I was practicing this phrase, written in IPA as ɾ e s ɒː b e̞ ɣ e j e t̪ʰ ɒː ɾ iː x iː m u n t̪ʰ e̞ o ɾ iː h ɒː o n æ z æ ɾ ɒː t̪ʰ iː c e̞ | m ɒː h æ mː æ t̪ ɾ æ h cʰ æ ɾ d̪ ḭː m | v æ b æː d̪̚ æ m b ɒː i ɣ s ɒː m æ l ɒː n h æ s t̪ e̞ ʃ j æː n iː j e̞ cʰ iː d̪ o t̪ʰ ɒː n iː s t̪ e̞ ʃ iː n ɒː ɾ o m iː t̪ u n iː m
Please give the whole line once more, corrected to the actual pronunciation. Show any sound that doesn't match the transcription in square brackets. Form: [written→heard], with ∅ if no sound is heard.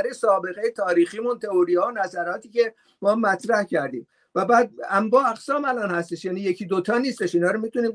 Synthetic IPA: ɾ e s ɒː b e̞ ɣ e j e t̪ʰ ɒː ɾ iː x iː m u n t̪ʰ e̞ o ɾ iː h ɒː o n æ z æ ɾ ɒː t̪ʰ iː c e̞ | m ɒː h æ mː æ t̪ ɾ æ h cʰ æ ɾ d̪ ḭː m | v æ b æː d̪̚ æ m b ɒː [i→æ] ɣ s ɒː m æ l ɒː n h æ s t̪ e̞ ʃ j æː n iː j e̞ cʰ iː d̪ o t̪ʰ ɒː n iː s t̪ e̞ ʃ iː n ɒː ɾ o m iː t̪ u n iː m